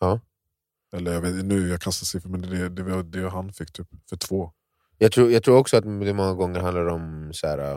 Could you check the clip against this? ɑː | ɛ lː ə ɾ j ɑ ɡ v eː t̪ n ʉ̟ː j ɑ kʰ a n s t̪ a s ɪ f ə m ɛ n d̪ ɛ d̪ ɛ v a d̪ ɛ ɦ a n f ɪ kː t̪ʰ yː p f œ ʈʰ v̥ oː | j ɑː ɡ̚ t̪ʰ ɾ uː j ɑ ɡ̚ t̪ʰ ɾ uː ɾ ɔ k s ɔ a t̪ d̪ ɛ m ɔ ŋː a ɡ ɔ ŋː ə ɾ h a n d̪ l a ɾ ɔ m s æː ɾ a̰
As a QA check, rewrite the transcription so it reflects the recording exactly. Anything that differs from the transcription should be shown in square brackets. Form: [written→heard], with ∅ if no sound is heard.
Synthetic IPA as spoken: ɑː | ɛ lː ə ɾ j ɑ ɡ v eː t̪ n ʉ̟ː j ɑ kʰ a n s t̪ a s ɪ f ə m ɛ n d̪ ɛ d̪ ɛ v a d̪ ɛ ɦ a n f ɪ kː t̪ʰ yː p f œ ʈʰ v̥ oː | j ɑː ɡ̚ t̪ʰ ɾ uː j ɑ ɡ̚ t̪ʰ ɾ uː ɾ ɔ k s ɔ a t̪ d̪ ɛ m ɔ ŋː a ɡ ɔ ŋː ə ɾ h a n d̪ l a ɾ ɔ m s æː ɾ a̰